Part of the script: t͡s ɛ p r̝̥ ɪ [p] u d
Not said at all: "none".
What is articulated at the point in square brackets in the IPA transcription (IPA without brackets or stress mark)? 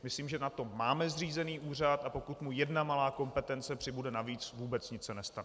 b